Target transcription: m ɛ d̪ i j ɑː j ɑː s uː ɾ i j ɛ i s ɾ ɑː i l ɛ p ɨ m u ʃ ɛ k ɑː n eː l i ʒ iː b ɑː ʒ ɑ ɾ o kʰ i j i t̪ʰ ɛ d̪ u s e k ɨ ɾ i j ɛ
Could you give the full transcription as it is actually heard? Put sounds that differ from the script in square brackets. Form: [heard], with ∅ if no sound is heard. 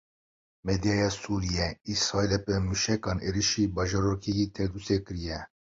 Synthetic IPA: m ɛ d̪ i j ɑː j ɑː s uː ɾ i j ɛ i s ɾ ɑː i l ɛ p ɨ m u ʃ ɛ k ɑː n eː [ɾ] i [ʃ] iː b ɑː ʒ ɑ ɾ o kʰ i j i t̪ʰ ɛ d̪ u s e k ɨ ɾ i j ɛ

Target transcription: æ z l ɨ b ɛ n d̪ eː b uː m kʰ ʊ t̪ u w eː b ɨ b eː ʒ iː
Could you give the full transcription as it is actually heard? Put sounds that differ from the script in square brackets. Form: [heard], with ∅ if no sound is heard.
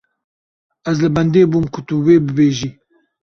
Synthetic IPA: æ z l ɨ b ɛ n d̪ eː b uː m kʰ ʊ t̪ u w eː b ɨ b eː ʒ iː

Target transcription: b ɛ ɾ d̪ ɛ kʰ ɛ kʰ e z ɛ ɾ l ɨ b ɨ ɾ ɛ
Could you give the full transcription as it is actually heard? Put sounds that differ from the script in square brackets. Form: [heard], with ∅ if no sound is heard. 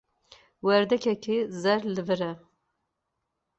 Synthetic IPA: [w] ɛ ɾ d̪ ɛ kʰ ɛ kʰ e z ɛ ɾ l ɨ [v] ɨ ɾ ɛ

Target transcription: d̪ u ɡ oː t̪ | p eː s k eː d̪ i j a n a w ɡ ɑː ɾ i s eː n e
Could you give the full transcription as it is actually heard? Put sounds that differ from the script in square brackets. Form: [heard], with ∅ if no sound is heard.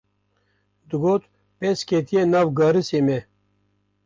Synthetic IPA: d̪ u ɡ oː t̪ | p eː s k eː [t̪] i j [e] n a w ɡ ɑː ɾ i s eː [m] e

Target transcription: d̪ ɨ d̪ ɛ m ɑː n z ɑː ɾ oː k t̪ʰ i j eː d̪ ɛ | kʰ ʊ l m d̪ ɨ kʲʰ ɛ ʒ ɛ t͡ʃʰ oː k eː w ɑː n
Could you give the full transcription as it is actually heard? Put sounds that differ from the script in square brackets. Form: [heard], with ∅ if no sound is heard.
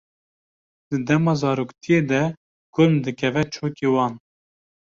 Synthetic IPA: d̪ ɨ d̪ ɛ m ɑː [∅] z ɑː ɾ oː k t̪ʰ i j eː d̪ ɛ | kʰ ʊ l m d̪ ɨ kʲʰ ɛ [v] ɛ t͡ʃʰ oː k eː w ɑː n

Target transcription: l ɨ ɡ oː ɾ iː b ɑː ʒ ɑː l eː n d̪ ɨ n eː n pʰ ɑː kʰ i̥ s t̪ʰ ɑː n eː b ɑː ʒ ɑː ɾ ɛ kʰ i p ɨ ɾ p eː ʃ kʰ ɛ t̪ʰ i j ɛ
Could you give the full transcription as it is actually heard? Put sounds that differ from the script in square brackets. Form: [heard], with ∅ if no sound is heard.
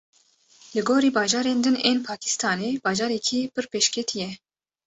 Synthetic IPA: l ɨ ɡ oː ɾ iː b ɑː ʒ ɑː [ɾ] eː n d̪ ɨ n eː n pʰ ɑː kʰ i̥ s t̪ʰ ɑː n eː b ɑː ʒ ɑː ɾ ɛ kʰ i p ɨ ɾ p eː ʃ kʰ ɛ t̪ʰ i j ɛ

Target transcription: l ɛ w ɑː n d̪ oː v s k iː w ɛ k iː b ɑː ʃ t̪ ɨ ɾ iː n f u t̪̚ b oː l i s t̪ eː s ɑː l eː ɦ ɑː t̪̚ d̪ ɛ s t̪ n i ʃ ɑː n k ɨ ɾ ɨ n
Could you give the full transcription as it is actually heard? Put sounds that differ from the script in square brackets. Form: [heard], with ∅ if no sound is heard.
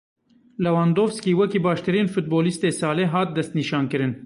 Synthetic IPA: l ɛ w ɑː n d̪ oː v s k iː w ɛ k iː b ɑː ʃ t̪ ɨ ɾ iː n f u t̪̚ b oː l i s t̪ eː s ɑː l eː ɦ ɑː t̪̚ d̪ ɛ s t̪ n i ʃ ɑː n k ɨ ɾ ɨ n

